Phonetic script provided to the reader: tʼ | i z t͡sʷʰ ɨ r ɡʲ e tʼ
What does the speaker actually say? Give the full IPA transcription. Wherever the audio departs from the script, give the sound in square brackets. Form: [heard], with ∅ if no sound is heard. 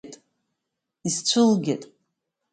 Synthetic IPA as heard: tʼ | i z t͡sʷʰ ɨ [l] ɡʲ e tʼ